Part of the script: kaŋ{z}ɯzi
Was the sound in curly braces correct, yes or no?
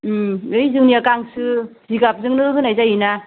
no